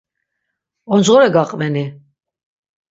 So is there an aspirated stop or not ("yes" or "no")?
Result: no